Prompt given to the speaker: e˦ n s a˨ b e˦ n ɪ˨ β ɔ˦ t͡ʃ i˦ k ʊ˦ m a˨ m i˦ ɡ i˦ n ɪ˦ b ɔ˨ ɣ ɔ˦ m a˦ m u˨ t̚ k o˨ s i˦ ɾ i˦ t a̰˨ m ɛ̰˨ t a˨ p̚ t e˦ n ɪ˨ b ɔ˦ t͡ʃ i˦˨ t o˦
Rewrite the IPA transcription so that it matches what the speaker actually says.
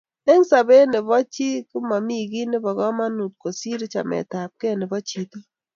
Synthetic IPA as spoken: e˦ ŋ s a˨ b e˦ n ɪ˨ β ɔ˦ t͡ʃ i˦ k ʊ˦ m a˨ m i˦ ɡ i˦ n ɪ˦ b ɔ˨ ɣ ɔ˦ m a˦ n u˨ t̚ k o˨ s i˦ ɾ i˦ t͡ʃ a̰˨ m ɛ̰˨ t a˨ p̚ k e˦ n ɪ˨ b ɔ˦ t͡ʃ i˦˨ t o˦

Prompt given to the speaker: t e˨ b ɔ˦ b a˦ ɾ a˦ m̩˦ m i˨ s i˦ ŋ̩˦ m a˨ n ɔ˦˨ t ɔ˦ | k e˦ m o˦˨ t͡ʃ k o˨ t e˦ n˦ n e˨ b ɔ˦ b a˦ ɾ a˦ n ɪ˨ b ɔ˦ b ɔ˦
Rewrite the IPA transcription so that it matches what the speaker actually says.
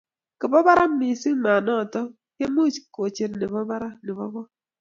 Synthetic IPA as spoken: k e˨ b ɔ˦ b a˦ ɾ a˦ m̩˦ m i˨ s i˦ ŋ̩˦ m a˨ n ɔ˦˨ t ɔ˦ | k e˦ m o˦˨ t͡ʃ k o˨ t͡ʃ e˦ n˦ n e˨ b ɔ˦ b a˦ ɾ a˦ n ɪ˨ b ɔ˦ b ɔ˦

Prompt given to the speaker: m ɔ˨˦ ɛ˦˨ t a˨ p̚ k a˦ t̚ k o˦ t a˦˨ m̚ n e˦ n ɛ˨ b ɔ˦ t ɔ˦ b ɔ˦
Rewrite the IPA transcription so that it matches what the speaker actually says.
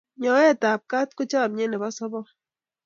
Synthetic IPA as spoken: ɲ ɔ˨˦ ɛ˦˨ t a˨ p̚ k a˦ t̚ k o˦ t͡ʃ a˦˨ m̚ ɲ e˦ n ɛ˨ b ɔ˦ s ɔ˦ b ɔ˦

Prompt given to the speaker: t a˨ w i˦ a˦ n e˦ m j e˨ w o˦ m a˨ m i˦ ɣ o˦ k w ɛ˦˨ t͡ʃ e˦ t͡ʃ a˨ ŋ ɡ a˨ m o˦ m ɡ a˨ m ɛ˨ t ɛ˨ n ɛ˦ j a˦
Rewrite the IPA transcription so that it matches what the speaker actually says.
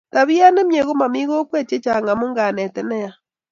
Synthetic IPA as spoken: t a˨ β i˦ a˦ n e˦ m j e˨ ɣ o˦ m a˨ m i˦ ɣ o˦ k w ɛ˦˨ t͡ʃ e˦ t͡ʃ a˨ ŋ ɡ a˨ m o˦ ŋ ɡ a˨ n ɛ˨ t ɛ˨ n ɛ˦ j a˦

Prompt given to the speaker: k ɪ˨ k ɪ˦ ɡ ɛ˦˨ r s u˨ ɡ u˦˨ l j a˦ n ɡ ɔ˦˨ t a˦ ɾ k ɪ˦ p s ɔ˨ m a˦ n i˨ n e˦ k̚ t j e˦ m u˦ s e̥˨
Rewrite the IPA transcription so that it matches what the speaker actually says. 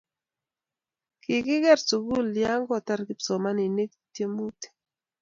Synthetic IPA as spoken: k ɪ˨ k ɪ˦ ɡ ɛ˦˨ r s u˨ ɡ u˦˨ l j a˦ ŋ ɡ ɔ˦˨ t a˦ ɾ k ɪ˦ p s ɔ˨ m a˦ n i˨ n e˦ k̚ t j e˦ m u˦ t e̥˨

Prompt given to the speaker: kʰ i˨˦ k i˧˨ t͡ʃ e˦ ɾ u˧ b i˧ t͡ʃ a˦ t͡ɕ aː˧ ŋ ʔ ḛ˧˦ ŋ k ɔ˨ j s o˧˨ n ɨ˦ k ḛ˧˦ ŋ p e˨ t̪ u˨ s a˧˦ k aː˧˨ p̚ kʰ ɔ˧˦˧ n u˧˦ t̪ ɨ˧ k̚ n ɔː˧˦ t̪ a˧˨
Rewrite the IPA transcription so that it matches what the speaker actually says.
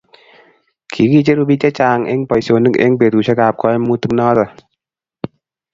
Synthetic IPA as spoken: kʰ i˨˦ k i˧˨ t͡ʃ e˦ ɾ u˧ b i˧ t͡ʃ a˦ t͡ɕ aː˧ ŋ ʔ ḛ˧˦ ŋ p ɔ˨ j s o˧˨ n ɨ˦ k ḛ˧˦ ŋ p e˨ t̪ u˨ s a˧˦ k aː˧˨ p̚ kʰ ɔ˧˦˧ m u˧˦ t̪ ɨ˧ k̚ n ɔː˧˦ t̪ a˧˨

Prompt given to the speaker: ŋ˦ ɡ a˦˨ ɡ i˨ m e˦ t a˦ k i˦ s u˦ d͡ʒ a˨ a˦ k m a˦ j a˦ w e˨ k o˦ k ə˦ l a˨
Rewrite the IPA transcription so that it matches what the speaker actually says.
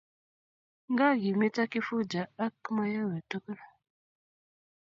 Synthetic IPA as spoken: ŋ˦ ɡ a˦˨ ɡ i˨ m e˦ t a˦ k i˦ f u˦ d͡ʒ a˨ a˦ k m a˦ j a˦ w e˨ t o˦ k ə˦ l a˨

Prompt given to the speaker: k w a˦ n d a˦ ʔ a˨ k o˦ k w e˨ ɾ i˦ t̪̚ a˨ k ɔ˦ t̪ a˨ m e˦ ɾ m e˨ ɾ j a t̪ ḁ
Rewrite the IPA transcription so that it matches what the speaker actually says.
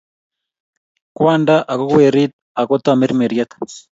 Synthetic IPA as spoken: k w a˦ n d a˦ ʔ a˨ k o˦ k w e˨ ɾ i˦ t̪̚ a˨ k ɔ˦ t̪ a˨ m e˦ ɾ m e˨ ɾ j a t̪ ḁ

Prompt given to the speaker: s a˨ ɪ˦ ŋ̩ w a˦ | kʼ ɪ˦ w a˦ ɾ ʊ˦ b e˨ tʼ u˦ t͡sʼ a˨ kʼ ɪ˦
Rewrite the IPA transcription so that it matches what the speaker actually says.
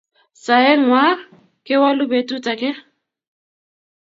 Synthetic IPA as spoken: s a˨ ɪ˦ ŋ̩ w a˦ | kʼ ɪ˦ w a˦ l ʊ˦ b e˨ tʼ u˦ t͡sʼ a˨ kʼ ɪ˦

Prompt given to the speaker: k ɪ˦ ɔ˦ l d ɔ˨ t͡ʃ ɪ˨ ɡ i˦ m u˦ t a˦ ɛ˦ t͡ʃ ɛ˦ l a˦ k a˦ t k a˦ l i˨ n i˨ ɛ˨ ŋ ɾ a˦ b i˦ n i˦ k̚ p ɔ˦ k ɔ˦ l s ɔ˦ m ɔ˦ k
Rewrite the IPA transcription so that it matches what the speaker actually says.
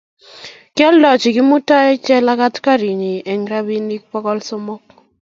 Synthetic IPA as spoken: k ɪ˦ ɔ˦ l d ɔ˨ t͡ʃ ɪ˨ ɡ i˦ m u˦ t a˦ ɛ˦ t͡ʃ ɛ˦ l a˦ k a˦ t k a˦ ɾ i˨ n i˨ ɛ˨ ŋ ɾ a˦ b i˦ n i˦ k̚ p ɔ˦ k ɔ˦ l s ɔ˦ m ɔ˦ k

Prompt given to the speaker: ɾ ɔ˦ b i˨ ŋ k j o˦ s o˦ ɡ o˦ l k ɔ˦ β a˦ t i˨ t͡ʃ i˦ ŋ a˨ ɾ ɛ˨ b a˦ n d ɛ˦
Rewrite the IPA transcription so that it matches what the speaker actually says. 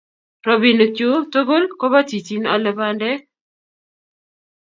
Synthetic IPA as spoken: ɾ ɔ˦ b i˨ n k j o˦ t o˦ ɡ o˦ l k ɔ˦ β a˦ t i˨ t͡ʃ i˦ n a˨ l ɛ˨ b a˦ n d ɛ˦

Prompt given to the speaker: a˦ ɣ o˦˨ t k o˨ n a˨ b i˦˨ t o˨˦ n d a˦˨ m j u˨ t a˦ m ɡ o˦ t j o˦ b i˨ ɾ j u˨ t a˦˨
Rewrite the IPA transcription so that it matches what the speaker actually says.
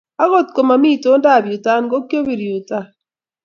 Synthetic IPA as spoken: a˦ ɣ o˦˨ t k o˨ m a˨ m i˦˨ t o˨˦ n d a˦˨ b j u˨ t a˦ n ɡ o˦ k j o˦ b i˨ ɾ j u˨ t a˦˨

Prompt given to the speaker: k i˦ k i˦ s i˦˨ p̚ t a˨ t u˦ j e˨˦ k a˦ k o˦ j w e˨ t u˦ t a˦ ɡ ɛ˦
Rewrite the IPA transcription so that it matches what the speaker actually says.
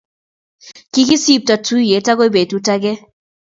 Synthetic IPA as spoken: k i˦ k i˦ s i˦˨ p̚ t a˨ t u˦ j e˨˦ t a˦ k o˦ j b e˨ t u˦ t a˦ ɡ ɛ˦

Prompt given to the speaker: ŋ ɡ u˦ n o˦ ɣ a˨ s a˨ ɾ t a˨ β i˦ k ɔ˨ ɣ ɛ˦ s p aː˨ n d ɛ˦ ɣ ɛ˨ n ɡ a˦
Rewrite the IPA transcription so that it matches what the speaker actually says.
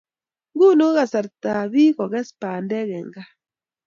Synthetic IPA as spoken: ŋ ɡ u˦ n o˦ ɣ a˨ s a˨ ɾ t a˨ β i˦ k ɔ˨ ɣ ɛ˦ s p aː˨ n d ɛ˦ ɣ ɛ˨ ŋ ɡ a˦

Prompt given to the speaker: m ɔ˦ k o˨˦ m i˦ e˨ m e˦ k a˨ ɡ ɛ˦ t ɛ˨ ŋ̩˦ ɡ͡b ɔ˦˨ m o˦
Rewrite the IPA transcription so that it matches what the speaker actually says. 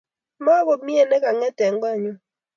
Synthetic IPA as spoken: m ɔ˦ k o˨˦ m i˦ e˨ n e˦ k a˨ ŋ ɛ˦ t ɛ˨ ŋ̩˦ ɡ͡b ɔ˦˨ ɲ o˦

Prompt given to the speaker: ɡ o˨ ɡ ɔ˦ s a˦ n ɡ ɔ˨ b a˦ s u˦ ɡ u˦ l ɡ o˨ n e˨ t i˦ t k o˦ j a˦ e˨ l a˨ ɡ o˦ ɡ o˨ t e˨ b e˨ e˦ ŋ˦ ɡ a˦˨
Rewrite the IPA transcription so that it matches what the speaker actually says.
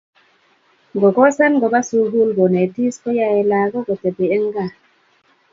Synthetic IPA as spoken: ɡ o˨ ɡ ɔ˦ s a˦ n ɡ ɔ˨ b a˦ s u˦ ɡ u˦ l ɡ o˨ n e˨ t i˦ s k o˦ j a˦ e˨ l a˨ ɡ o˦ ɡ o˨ t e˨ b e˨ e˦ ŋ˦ ɡ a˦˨

